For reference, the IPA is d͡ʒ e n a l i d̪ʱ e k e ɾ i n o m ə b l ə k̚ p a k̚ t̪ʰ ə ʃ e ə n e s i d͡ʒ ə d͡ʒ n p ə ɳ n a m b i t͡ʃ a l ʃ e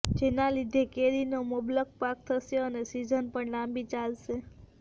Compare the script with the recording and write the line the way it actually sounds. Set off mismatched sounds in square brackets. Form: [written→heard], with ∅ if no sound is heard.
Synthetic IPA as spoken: d͡ʒ e n a l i d̪ʱ e k e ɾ i n o m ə b l ə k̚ p a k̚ t̪ʰ ə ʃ e ə n e s i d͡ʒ ə [d͡ʒ→∅] n p ə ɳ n a m b i t͡ʃ a l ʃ e